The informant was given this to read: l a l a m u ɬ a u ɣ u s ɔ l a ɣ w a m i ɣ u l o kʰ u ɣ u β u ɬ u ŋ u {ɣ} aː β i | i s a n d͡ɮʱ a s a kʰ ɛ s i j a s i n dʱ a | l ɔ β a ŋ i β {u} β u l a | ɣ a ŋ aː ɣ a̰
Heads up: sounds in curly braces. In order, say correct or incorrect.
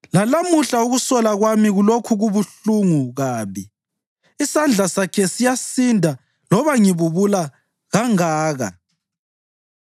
correct, correct

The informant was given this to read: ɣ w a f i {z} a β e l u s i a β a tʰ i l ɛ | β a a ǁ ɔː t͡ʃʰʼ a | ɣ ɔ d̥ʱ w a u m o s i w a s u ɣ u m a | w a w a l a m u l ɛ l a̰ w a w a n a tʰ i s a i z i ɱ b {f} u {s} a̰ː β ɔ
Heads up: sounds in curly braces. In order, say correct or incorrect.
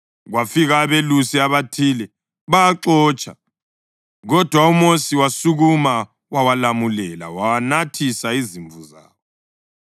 incorrect: ɣ, incorrect: v, incorrect: z

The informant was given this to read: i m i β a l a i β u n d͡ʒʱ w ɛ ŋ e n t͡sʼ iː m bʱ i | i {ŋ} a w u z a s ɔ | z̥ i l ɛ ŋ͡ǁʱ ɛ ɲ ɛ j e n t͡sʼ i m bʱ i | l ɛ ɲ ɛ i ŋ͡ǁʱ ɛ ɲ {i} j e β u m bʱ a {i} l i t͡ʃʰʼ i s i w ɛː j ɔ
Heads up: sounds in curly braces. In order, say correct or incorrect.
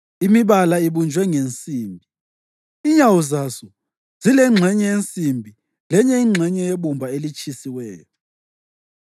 incorrect: ɲ, incorrect: ɛ, incorrect: e

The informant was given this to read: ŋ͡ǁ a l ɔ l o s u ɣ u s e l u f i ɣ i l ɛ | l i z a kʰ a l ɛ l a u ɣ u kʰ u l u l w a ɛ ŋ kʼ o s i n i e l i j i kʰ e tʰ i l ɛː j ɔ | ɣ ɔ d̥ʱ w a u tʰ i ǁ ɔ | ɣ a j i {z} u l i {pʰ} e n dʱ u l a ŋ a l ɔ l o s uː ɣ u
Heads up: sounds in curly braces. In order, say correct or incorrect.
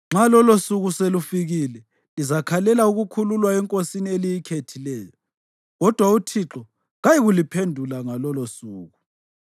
incorrect: ɣ, correct

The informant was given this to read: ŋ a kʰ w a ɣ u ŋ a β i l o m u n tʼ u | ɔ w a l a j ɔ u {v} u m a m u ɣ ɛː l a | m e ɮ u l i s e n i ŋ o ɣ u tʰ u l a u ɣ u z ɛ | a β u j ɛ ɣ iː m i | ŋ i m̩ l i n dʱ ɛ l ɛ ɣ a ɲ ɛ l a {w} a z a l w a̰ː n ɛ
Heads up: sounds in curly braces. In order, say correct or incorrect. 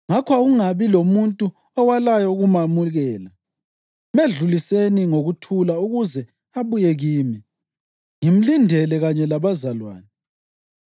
incorrect: ɣ, incorrect: β

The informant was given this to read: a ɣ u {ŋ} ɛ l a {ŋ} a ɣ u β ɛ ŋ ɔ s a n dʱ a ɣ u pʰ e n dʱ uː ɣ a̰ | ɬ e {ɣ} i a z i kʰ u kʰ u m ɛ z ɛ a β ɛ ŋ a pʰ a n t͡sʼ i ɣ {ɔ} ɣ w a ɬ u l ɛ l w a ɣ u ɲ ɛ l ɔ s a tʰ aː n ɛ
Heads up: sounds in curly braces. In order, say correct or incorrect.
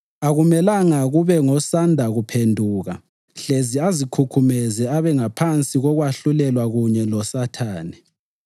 incorrect: m, correct, incorrect: z, correct

